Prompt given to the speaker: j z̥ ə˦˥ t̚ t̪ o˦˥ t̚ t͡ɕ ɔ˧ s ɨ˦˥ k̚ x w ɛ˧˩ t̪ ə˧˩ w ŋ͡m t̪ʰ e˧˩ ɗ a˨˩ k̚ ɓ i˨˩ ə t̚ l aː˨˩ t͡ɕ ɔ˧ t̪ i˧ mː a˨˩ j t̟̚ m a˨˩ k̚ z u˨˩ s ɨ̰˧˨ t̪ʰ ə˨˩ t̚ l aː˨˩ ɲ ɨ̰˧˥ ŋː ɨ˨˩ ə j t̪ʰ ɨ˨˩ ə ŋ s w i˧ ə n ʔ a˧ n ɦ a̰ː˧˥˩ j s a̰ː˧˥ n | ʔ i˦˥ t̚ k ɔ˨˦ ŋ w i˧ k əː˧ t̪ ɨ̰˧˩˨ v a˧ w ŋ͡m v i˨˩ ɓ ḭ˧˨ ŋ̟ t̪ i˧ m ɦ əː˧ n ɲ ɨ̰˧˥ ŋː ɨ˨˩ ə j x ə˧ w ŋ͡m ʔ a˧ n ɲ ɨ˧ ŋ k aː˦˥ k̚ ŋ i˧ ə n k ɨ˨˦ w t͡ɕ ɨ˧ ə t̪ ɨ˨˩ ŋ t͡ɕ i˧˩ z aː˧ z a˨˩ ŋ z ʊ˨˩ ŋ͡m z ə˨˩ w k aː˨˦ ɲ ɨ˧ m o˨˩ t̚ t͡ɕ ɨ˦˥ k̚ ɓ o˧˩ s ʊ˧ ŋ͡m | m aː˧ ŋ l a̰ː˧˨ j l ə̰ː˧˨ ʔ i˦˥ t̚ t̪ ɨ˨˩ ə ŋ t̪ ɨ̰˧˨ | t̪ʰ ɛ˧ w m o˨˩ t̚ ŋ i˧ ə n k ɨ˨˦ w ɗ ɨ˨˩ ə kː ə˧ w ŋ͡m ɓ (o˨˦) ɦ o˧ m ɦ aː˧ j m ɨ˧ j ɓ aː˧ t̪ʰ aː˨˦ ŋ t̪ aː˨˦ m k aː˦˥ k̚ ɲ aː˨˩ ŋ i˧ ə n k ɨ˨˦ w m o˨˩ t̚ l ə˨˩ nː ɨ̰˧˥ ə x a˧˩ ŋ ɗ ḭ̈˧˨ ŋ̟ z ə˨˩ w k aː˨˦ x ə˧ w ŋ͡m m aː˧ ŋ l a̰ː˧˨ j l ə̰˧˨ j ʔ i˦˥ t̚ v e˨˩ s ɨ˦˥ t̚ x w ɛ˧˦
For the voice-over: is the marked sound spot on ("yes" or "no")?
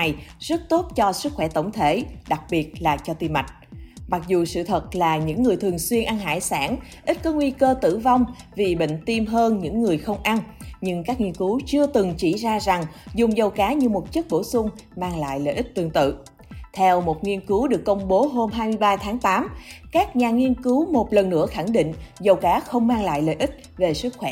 yes